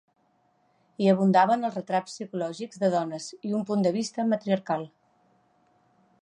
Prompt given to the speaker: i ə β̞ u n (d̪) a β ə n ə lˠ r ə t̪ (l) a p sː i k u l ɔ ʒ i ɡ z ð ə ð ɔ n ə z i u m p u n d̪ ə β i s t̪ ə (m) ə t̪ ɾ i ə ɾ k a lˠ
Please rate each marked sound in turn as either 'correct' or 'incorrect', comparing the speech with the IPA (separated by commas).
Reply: correct, incorrect, correct